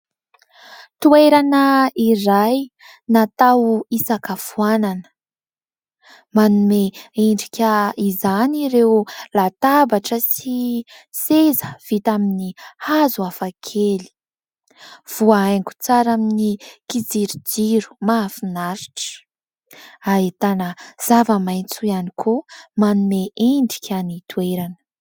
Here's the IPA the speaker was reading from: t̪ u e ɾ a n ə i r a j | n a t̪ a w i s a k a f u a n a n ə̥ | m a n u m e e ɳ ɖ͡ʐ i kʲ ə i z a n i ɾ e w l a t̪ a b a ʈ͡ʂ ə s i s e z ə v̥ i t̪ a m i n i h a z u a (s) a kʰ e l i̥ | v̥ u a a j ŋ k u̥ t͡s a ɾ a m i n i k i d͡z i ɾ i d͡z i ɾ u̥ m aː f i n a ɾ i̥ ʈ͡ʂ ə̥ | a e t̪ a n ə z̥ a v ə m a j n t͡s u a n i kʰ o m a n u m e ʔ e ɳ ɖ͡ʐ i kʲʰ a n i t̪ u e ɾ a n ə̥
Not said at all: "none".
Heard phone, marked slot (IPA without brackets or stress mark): f